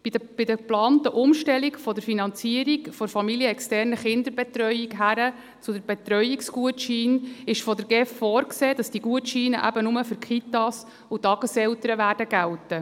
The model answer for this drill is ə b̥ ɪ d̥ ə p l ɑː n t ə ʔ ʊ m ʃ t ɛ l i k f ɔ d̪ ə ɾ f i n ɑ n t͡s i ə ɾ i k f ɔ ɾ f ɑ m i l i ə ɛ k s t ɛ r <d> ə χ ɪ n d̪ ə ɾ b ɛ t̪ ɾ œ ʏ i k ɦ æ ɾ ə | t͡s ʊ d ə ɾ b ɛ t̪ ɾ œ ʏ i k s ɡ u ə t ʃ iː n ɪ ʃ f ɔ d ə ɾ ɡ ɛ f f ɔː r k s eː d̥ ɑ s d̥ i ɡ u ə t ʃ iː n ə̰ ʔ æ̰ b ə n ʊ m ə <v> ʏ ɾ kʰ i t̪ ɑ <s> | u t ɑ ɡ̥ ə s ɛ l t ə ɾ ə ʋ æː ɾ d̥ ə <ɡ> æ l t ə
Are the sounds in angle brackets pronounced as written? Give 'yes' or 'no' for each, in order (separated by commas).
no, no, yes, yes